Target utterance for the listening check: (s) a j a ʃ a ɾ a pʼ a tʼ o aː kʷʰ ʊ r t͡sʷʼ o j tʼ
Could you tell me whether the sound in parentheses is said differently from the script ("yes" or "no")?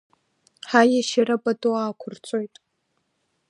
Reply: yes